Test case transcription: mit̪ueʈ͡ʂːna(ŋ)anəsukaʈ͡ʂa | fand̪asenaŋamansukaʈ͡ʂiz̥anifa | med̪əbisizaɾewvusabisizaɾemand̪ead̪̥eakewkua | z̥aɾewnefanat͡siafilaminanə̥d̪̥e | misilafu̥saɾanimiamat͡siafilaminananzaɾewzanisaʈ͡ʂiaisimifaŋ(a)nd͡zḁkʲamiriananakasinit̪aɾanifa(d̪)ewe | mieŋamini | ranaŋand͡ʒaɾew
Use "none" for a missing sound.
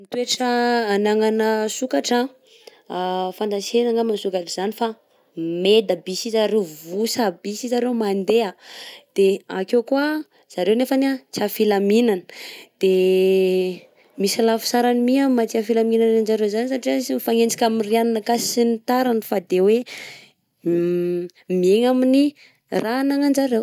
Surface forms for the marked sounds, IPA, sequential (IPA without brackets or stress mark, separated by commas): ŋ, e, d̪